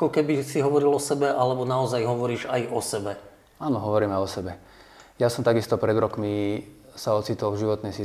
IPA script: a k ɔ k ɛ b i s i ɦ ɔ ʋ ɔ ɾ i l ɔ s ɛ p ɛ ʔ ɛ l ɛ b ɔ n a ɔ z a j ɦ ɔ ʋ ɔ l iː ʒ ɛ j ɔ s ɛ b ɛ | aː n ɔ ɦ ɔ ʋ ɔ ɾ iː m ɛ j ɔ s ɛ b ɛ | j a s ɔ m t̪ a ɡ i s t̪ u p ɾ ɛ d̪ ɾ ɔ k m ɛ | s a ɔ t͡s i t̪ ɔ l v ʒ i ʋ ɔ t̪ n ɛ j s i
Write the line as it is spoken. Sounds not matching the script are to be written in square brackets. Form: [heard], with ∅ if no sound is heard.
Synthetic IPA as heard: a k ɔ k ɛ b i s i ɦ ɔ ʋ ɔ ɾ i l ɔ s ɛ [b] ɛ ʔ [a] l ɛ b ɔ n a ɔ z a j ɦ ɔ ʋ ɔ [ɾ] iː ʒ [a] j ɔ s ɛ b ɛ | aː n ɔ ɦ ɔ ʋ ɔ ɾ iː m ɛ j ɔ s ɛ b ɛ | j a s ɔ m t̪ a ɡ i s t̪ [ɔ] p ɾ ɛ d̪ ɾ ɔ k m [i] | s a ɔ t͡s i t̪ ɔ l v ʒ i ʋ ɔ t̪ n ɛ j s i